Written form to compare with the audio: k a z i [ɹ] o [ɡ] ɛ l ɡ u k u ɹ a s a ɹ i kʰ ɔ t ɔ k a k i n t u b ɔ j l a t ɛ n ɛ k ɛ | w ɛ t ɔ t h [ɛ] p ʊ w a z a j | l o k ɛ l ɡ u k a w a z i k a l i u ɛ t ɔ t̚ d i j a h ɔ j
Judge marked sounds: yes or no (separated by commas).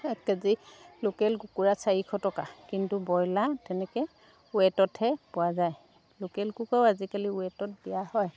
no, no, yes